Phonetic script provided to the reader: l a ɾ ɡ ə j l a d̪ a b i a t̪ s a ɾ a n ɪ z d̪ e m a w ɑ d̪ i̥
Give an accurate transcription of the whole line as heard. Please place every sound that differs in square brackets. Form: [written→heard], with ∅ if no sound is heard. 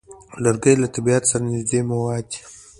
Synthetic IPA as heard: l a ɾ ɡ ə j l a [d̪→t̪] a b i a t̪ s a ɾ a n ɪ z d̪ e m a w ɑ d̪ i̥